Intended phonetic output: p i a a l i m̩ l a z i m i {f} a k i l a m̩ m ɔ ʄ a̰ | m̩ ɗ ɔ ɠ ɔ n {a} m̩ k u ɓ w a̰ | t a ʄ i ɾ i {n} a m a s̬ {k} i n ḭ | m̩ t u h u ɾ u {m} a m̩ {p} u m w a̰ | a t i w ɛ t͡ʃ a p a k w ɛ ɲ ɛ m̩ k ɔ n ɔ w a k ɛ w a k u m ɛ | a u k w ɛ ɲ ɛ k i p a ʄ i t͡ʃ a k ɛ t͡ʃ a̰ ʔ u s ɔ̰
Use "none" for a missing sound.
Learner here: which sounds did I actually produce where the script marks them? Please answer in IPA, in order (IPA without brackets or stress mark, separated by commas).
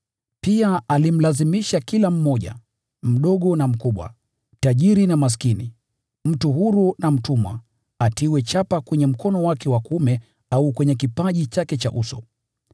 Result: ʃ, a, n, k, n, t